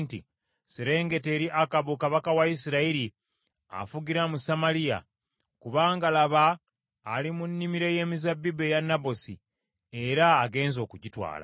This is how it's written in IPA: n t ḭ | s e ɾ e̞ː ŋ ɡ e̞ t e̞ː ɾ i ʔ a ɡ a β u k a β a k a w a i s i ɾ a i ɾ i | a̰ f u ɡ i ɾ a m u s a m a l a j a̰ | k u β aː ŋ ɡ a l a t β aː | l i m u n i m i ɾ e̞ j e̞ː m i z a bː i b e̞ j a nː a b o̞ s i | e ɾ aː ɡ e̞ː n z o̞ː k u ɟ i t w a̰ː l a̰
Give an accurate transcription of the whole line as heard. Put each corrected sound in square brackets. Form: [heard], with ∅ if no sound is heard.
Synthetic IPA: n t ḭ | s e ɾ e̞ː ŋ ɡ e̞ t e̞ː ɾ i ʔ a [k] a β u k a β a k a w a i s i ɾ a i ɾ i | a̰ f u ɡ i ɾ a m u s a m a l [i] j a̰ | k u β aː ŋ ɡ a l a [∅] β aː | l i m u [nː] i m i ɾ e̞ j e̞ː m i z a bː i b e̞ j a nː a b o̞ s i | e ɾ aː ɡ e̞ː n z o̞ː k u ɟ i t w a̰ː l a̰